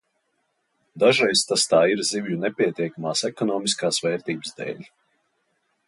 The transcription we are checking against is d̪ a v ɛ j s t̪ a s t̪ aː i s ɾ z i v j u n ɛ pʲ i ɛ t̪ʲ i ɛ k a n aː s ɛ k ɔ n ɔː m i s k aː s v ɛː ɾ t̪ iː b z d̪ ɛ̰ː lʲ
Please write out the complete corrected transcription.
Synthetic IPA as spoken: d̪ a ʒ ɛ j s t̪ a s t̪ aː i ɾ z i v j u n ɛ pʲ i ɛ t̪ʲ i ɛ k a m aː s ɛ k ɔ n ɔː m i s k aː s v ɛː ɾ t̪ iː b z d̪ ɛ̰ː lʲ